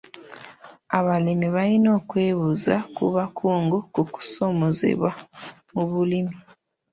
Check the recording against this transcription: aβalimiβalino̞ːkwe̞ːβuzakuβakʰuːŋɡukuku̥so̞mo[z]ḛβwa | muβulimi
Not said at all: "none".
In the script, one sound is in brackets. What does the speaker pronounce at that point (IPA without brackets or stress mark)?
z